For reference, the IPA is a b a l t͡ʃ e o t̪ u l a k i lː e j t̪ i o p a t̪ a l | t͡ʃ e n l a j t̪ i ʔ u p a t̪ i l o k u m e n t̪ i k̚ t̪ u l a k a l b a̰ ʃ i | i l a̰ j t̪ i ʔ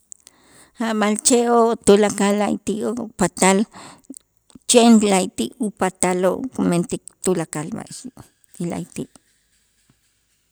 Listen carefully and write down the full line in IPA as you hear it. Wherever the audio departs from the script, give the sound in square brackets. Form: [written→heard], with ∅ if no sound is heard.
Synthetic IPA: a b a l t͡ʃ e o t̪ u l a k [i→a] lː [e→a] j t̪ i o p a t̪ a l | t͡ʃ e n l a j t̪ i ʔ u p a t̪ [i→a] l o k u m e n t̪ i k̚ t̪ u l a k a l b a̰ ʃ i | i l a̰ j t̪ i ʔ

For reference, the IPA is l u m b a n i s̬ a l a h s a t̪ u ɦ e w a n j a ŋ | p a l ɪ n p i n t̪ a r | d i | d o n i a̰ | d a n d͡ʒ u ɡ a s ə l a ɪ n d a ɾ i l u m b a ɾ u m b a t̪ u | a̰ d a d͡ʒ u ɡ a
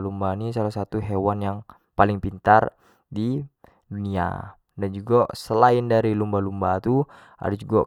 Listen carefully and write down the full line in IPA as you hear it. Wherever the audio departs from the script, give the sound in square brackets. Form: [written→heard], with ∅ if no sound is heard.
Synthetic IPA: l u m b a n i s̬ a l a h s a t̪ u ɦ e w a n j a ŋ | p a l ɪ [n→ŋ] p i n t̪ a r | d i | d [o→u] n i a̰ | d a n d͡ʒ u ɡ a s ə l a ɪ n d a ɾ i l u m b a [ɾ→l] u m b a t̪ u | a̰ d a d͡ʒ u ɡ a

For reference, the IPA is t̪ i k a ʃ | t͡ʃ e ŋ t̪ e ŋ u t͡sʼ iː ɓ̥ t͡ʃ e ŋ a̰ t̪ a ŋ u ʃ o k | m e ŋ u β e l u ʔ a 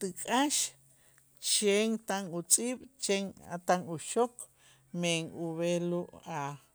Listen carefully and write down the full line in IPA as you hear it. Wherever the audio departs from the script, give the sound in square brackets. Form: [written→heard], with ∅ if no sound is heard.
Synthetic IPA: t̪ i [k→kʼ] a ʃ | t͡ʃ e ŋ t̪ [e→a] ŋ u t͡sʼ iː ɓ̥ t͡ʃ e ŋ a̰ t̪ a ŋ u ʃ o k | m e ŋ u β e l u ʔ a

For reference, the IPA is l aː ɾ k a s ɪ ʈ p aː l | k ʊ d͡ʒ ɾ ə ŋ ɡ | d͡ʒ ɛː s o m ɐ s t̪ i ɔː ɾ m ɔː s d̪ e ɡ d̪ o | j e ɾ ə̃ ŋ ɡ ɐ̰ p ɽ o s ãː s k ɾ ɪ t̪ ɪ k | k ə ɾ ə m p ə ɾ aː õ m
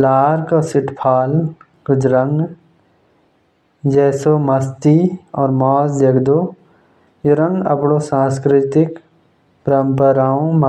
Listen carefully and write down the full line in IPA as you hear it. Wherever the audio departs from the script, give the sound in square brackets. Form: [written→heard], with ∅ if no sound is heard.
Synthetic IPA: l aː ɾ k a s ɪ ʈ [p→pʰ] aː l | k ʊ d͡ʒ ɾ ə ŋ ɡ | d͡ʒ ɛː s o m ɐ s t̪ i ɔː ɾ m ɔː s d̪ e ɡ d̪ o | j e ɾ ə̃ ŋ ɡ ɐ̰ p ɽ o s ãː s k ɾ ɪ t̪ ɪ k | [k→p] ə ɾ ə m p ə ɾ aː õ m

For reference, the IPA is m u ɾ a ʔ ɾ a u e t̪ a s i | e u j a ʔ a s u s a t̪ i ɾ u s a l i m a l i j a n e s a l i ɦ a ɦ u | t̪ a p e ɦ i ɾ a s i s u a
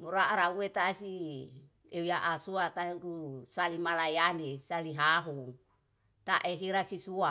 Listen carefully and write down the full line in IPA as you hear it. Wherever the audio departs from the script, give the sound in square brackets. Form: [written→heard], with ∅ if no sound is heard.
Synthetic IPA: m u ɾ a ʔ ɾ a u e t̪ a s i | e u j a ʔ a s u [s→∅] a t̪ [i→a] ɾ u s a l i m a l [i→a] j a n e s a l i ɦ a ɦ u | t̪ a [p→ʔ] e ɦ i ɾ a s i s u a

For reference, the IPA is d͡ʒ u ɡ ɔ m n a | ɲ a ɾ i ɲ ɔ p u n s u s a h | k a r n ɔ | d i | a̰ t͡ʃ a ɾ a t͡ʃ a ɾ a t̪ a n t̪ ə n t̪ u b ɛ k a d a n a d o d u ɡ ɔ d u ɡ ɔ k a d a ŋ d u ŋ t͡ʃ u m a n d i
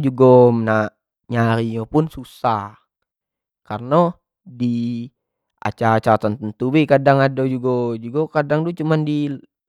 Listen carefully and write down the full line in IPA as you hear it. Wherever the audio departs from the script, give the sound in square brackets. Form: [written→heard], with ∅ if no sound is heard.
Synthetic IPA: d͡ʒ u ɡ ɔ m n a | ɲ a ɾ i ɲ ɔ p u n s u s a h | k a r n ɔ | d i | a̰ t͡ʃ a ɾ a t͡ʃ a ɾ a t̪ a n t̪ ə n t̪ u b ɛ k a d a [n→ŋ] a d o [d→d͡ʒ] u ɡ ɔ [d→d͡ʒ] u ɡ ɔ k a d a ŋ d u [ŋ→∅] t͡ʃ u m a n d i

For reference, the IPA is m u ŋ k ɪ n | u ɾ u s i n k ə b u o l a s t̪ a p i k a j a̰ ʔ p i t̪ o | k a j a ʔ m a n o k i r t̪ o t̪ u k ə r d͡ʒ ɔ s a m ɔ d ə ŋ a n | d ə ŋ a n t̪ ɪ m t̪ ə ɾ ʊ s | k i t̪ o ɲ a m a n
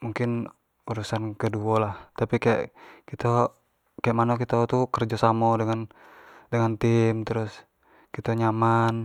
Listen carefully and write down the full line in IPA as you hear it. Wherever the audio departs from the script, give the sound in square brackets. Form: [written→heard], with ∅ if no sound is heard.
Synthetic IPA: m u ŋ k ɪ n | u ɾ u s [i→a] n k ə [b→d] u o l a [s→h] t̪ a p i k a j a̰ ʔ [p→k] i t̪ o | k a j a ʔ m a n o k i [r→∅] t̪ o t̪ u k ə r d͡ʒ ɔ s a m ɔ d ə ŋ a n | d ə ŋ a n t̪ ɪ m t̪ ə ɾ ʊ s | k i t̪ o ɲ a m a n

